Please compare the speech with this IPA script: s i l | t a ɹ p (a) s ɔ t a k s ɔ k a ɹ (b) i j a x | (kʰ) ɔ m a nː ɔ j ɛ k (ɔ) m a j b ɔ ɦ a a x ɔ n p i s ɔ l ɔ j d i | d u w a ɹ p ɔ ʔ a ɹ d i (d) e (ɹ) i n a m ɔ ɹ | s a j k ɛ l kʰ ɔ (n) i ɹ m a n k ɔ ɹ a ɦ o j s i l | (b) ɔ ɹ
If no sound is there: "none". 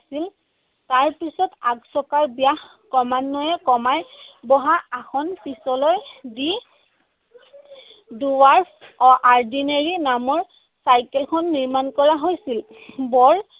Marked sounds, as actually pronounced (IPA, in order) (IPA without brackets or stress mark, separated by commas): i, b, k, ɔ, n, ɹ, nː, b